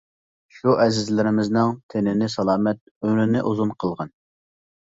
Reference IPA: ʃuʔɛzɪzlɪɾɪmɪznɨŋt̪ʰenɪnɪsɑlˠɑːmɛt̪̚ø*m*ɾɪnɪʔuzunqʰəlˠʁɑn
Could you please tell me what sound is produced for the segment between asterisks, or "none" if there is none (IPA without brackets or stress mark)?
m